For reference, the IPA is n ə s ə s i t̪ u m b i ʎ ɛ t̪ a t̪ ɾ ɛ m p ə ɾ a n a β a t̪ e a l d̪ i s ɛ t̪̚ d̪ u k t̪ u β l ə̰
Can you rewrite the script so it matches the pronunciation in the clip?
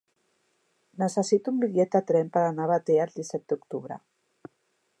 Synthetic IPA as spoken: n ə s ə s i t̪ u m b i ʎ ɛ t̪ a t̪ ɾ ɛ m p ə ɾ a n a β a t̪ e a l d̪ i s ɛ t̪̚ d̪ u k t̪ u β ɾ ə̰